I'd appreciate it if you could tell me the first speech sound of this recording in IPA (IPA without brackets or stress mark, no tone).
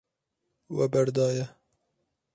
w